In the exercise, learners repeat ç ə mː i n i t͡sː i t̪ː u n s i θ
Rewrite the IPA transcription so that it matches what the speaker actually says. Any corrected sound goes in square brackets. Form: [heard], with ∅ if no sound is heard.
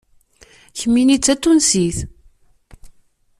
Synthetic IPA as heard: ç ə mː i n i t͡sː [æ] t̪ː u n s i θ